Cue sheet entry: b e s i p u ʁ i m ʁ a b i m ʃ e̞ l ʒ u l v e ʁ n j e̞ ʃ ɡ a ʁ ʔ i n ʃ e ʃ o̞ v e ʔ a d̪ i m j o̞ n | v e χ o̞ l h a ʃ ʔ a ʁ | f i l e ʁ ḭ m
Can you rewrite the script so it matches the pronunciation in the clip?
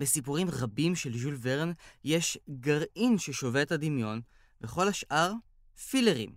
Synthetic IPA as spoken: b e s i p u ʁ i m ʁ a b i m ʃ e̞ l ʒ u l v e ʁ n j e̞ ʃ ɡ a ʁ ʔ i n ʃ e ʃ o̞ v e t a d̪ i m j o̞ n | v e χ o̞ l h a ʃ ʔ a ʁ | f i l e ʁ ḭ m